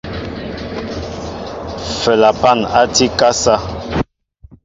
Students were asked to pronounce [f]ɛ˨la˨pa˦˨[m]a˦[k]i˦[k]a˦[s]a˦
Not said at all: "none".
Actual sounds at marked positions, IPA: f, n, t, k, s

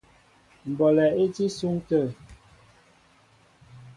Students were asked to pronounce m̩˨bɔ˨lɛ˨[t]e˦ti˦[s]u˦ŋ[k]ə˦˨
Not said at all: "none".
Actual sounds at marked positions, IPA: none, s, t

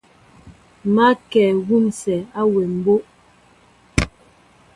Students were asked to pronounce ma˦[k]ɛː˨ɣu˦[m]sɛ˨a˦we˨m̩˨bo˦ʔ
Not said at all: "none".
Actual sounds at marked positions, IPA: k, m

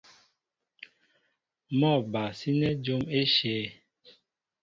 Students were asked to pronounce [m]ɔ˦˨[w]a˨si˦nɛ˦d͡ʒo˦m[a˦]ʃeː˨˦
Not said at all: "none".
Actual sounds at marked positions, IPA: m, b, e˦

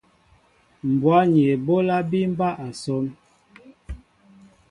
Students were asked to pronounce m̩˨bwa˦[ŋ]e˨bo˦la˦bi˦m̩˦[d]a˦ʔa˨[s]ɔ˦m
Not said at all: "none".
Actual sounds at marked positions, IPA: ɲ, b, s

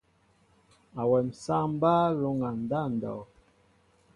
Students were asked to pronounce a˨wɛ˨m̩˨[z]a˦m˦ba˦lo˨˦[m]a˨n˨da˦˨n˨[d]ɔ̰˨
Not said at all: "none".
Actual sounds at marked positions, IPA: s, ŋ, d

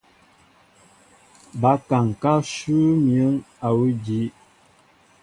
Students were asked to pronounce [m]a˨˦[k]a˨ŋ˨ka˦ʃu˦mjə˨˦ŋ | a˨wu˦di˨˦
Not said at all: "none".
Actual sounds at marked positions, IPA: b, k

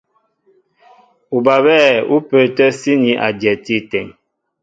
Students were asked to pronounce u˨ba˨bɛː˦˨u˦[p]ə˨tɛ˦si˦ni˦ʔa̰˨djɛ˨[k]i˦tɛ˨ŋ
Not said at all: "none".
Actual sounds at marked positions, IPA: p, t

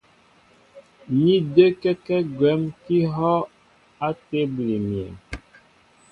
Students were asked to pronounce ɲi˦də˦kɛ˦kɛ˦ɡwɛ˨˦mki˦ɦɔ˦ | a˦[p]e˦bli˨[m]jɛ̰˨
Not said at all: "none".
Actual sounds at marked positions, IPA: t, m

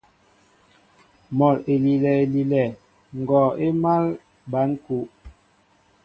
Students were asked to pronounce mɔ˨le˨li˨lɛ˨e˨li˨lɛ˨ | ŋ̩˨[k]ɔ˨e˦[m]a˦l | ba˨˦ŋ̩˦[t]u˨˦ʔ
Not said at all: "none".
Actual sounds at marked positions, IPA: ɡ, m, k

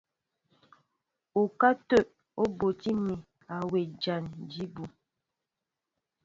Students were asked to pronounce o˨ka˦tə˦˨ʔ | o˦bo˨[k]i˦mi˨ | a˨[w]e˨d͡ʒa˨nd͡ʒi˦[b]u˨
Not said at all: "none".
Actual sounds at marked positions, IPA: t, w, b

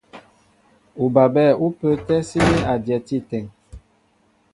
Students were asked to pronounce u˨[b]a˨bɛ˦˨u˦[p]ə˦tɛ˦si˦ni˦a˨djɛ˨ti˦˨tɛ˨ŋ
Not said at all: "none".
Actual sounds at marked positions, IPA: b, p

